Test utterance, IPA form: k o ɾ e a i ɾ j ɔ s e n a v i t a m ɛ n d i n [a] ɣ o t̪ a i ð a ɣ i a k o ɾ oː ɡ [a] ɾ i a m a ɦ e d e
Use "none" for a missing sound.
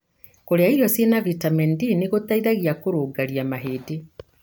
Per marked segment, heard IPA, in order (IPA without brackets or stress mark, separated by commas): e, a